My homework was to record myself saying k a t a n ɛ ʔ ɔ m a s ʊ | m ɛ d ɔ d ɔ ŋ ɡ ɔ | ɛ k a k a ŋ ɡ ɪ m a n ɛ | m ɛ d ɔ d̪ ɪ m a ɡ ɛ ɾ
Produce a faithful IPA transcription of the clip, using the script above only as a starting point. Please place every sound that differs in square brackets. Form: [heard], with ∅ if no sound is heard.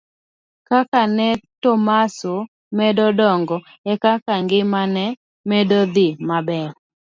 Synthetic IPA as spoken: k a [k] a n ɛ [t] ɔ m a s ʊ | m ɛ d ɔ d ɔ ŋ ɡ ɔ | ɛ k a k a ŋ ɡ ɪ m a n ɛ | m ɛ d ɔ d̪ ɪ m a [b] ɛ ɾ